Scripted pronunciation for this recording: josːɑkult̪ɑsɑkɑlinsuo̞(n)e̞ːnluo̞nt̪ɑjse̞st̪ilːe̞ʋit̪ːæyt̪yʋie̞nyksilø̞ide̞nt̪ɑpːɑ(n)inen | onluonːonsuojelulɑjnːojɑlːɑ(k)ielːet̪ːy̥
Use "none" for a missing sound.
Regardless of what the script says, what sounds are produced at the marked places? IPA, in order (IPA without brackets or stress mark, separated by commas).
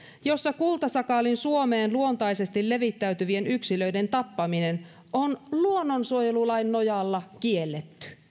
m, m, k